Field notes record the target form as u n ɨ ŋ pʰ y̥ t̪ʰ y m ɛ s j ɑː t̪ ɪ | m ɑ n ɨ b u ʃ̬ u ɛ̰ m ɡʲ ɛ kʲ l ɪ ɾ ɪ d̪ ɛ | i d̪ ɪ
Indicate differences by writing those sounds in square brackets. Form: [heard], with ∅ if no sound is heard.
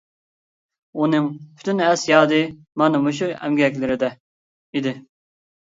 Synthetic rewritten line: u n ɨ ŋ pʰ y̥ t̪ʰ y [n] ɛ s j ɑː [d̪] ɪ | m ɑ n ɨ [m] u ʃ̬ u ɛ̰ m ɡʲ ɛ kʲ l ɪ ɾ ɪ d̪ ɛ | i d̪ ɪ